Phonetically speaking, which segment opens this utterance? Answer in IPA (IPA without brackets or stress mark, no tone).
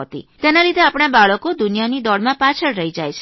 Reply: t̪